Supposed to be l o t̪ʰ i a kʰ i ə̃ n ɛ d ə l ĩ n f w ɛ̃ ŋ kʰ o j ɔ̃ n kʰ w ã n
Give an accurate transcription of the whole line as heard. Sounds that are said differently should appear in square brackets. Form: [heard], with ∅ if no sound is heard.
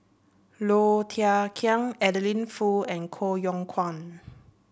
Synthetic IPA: l o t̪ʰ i a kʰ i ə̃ [ŋ] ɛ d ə l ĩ n f [u] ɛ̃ [n] kʰ o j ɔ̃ [ŋ] kʰ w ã n